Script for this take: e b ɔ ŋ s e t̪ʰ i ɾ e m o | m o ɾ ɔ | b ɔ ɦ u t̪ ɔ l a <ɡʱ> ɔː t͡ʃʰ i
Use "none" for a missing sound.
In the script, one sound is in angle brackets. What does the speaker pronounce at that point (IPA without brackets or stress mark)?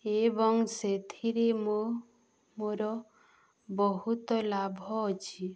bʱ